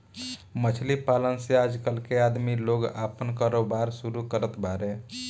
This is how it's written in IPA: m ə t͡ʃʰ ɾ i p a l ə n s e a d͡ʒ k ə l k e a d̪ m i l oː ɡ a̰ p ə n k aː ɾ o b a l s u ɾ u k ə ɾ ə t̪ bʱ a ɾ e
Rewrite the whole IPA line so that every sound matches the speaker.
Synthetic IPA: m ə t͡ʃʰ l i p a l ə n s e a d͡ʒ k ə l k e a d̪ m i l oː ɡ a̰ p ə n k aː ɾ o b a ɾ s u ɾ u k ə ɾ ə t̪ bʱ a ɾ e